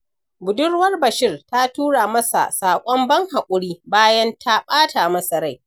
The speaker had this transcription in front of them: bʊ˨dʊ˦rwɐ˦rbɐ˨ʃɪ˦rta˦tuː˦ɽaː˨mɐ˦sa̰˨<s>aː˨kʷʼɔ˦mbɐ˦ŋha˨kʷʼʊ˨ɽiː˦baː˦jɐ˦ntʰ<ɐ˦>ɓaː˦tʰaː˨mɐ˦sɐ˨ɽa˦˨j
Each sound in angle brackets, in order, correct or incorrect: correct, incorrect

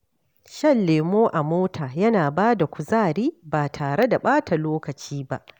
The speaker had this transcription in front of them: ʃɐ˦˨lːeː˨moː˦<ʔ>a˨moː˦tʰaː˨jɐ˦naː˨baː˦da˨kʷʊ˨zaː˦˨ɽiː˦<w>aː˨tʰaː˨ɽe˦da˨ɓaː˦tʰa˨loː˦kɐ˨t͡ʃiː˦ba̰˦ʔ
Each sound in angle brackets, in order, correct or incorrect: correct, incorrect

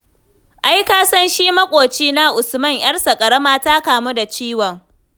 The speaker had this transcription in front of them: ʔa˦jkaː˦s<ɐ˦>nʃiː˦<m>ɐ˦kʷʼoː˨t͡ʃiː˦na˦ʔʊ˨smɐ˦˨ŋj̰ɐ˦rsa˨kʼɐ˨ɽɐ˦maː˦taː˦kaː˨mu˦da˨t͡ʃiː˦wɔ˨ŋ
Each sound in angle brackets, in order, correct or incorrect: correct, correct

